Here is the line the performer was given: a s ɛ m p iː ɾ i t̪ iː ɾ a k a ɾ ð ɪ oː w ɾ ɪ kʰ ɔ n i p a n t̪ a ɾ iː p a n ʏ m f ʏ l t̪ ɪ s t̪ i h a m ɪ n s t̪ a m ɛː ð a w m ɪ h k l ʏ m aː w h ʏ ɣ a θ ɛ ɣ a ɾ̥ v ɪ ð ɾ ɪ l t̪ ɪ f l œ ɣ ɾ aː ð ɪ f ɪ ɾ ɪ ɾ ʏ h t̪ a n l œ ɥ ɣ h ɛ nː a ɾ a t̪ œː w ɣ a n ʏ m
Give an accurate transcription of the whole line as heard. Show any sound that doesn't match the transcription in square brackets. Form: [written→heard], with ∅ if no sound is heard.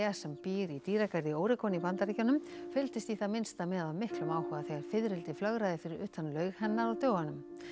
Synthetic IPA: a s ɛ m p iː ɾ i t̪ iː ɾ a k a ɾ ð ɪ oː w ɾ ɪ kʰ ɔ n i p a n t̪ a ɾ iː [p→c] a n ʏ m f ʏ l t̪ ɪ s t̪ i [h→θ] a m ɪ n s t̪ a m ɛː ð a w m ɪ h k l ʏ m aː w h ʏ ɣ a θ ɛ ɣ a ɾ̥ [v→f] ɪ ð ɾ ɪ l t̪ ɪ f l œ ɣ ɾ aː ð ɪ f ɪ ɾ ɪ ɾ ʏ h t̪ a n l œ ɥ ɣ h ɛ nː a ɾ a t̪ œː w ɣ a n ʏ m

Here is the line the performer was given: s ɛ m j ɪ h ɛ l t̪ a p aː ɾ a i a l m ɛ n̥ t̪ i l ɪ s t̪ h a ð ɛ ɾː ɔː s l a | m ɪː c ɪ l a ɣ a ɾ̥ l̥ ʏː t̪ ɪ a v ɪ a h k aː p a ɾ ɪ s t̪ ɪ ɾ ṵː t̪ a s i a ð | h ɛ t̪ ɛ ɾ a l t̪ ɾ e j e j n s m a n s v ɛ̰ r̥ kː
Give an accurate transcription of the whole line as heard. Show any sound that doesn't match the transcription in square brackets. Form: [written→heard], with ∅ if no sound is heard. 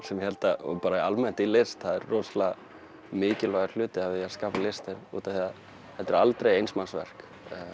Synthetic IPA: s ɛ m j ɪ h ɛ l t̪ a p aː ɾ a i a l m ɛ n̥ t̪ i l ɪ s t̪ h a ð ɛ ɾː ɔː s l a | m ɪː c ɪ l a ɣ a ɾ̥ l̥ ʏː t̪ ɪ a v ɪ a [h→s] k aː p a [ɾ→l] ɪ s t̪ ɪ ɾ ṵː t̪ a [s→θ] i a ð | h ɛ t̪ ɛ ɾ a l t̪ ɾ e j e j n s m a n s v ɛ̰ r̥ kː

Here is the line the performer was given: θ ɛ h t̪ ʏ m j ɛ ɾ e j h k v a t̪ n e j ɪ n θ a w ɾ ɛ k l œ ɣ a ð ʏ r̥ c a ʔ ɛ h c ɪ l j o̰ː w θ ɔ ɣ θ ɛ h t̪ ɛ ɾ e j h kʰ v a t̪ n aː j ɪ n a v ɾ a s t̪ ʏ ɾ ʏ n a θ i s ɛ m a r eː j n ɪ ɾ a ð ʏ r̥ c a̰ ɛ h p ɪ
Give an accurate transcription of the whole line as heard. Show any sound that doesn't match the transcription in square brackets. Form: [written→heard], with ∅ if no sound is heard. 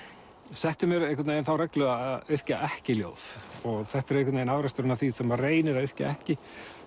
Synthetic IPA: [θ→s] ɛ h t̪ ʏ m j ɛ ɾ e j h k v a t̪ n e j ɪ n θ a w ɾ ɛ k l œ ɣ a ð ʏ r̥ c a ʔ ɛ h c ɪ l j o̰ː w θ ɔ ɣ θ ɛ h t̪ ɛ ɾ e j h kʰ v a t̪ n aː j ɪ n a v ɾ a s t̪ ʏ ɾ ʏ n a θ i s ɛ m a r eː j n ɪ ɾ a ð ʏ r̥ c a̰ ɛ h [p→c] ɪ

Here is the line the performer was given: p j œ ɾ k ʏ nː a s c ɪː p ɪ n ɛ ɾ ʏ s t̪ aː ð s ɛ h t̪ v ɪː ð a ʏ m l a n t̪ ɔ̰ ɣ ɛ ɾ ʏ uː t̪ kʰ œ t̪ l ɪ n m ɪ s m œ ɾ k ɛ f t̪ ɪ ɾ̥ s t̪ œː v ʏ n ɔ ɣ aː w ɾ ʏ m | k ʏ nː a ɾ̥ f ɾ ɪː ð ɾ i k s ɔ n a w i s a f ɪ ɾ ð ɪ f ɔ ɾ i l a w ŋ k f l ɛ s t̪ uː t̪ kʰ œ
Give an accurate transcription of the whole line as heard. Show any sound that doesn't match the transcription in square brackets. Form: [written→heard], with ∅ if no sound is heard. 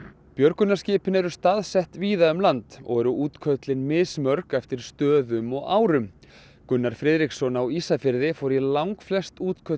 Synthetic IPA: p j œ ɾ k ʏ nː a s c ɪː p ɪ n ɛ ɾ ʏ s t̪ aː ð s ɛ h t̪ v [ɪː→iː] ð a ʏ m l a n t̪ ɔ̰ ɣ ɛ ɾ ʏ uː t̪ kʰ œ t̪ l ɪ n m ɪ s m œ ɾ k ɛ f t̪ ɪ ɾ̥ s t̪ œː [v→ð] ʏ [n→m] ɔ ɣ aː w ɾ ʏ m | k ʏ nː a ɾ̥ f ɾ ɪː ð ɾ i k s ɔ n a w i s a f ɪ ɾ ð ɪ f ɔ ɾ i l a w ŋ k f l ɛ s t̪ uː t̪ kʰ œ

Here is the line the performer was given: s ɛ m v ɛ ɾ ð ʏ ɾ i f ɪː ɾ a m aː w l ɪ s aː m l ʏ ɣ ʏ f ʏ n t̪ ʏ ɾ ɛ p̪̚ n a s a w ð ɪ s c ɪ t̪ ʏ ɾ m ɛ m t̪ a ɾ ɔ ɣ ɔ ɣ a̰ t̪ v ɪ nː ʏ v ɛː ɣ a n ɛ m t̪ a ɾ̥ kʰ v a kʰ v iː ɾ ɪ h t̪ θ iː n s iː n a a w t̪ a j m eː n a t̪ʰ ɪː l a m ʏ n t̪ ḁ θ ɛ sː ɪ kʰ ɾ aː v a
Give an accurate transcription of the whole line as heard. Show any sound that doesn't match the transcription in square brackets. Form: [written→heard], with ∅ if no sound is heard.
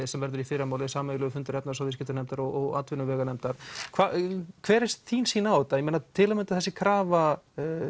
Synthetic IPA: s ɛ m v ɛ ɾ ð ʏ ɾ i f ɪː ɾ a m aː w l ɪ s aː m l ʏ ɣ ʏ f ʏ n t̪ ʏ ɾ ɛ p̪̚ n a s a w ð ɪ s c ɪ t̪ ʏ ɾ [m→n] ɛ m t̪ a ɾ ɔ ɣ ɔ ɣ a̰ t̪ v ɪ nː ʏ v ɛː ɣ a n ɛ m t̪ a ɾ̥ kʰ v a kʰ v [iː→ɛː] ɾ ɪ [h→s] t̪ θ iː n s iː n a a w t̪ a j m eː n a t̪ʰ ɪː l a m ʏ n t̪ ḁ θ ɛ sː ɪ kʰ ɾ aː v a

